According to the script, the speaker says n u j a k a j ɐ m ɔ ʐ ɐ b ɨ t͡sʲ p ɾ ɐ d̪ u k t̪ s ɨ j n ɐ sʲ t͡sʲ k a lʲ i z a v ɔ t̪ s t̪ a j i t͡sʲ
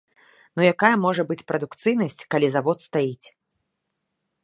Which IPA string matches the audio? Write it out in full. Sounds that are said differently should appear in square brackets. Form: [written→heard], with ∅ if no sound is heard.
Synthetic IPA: n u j a k a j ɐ m ɔ ʐ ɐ b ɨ t͡sʲ p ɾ ɐ d̪ u k t̪ s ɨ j n ɐ sʲ t͡sʲ k a lʲ i z a v ɔ t̪ s t̪ a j i t͡sʲ